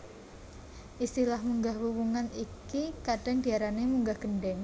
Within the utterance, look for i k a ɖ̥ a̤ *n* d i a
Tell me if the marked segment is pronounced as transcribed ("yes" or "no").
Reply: no